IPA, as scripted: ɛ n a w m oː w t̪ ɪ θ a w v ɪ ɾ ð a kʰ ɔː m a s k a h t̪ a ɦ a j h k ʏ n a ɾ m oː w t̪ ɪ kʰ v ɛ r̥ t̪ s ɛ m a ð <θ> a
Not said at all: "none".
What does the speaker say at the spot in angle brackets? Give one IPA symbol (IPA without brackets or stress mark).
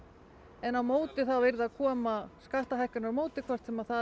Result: θ